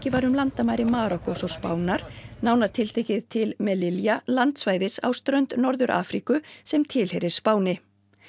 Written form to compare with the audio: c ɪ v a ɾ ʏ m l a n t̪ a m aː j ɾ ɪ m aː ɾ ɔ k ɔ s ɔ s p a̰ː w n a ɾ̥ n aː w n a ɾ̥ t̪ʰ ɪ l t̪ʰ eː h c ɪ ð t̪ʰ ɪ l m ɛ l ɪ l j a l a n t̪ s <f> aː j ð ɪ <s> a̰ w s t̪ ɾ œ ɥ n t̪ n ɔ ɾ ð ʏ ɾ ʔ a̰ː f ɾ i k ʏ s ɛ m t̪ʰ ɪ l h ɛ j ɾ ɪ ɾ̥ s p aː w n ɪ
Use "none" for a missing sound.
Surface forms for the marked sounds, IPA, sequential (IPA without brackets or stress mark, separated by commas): v, s